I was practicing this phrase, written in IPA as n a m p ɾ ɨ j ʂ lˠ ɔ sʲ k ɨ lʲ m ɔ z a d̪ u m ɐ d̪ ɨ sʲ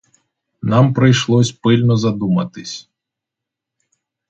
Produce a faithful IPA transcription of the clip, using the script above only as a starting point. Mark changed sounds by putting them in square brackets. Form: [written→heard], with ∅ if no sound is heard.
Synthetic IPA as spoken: n a m p ɾ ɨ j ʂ lˠ ɔ sʲ [k→p] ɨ lʲ [m→n] ɔ z a d̪ u m ɐ [d̪→t̪] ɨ sʲ